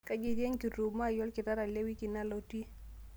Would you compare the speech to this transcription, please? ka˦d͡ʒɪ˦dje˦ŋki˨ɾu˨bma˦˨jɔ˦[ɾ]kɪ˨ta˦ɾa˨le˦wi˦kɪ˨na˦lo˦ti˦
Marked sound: incorrect: l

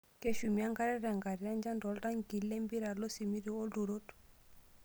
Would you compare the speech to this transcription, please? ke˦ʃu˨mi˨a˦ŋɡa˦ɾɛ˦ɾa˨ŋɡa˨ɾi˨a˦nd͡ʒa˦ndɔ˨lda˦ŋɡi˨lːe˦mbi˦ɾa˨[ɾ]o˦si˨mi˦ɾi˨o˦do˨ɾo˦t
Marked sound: incorrect: l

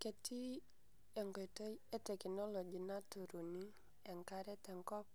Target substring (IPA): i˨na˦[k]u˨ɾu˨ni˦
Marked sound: incorrect: t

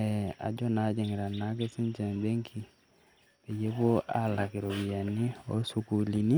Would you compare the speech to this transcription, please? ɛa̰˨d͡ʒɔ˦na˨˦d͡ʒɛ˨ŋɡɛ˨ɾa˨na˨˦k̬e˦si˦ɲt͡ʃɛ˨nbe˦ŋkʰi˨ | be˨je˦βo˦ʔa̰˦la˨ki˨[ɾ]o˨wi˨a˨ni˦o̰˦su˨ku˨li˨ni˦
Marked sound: correct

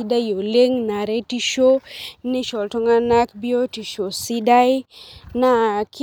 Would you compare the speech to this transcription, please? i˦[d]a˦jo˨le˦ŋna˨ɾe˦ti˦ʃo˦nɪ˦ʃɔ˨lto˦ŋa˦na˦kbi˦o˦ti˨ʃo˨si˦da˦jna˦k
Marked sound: correct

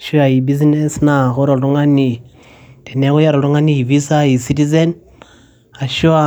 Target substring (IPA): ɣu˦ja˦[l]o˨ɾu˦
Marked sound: incorrect: ɾ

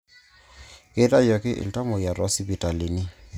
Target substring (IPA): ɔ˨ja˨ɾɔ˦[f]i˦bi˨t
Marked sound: incorrect: s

